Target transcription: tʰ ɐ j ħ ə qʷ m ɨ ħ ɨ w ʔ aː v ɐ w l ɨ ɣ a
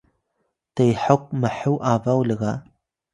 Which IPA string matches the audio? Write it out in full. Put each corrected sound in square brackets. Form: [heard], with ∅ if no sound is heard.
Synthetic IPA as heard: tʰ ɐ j ħ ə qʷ m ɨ ħ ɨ w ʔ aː v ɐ w l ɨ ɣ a